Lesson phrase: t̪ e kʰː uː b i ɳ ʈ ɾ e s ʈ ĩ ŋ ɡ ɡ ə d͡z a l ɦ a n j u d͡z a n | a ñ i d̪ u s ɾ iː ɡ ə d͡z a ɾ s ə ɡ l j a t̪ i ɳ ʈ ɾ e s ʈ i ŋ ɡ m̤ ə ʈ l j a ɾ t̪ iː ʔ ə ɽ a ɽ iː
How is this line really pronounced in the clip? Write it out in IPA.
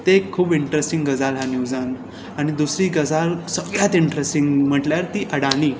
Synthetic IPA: t̪ e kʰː uː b i ɳ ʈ ɾ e s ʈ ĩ ŋ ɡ ɡ ə d͡z a l ɦ a n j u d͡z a n | a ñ i d̪ u s ɾ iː ɡ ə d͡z a l s ə ɡ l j a t̪ i ɳ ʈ ɾ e s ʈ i ŋ ɡ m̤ ə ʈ l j a ɾ t̪ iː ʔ ə ɽ a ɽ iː